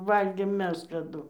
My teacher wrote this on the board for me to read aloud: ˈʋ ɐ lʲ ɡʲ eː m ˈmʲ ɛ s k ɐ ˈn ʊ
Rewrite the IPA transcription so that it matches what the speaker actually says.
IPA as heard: ˈʋ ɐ lʲ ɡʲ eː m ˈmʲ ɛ s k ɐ ˈd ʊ